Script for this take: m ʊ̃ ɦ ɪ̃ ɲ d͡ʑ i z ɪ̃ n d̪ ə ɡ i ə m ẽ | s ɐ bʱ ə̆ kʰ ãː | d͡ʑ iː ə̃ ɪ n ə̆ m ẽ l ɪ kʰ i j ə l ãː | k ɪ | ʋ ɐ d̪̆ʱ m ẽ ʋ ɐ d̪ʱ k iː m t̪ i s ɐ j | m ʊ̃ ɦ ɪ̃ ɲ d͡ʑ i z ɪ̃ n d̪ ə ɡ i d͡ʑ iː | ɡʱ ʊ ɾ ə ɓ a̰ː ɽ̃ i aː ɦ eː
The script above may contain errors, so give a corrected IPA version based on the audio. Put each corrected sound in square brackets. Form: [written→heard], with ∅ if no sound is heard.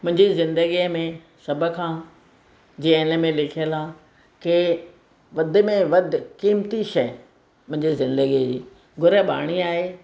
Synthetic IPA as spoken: m ʊ̃ ɦ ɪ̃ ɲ d͡ʑ i z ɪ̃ n d̪ ə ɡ i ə m ẽ | s ɐ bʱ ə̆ kʰ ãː | d͡ʑ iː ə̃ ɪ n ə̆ m ẽ l ɪ kʰ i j ə l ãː | k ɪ | ʋ ɐ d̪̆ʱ m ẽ ʋ ɐ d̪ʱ k iː m t̪ i [s→ʃ] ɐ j | m ʊ̃ ɦ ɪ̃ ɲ d͡ʑ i z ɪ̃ n d̪ ə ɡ i d͡ʑ iː | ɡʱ ʊ ɾ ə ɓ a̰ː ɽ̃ i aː ɦ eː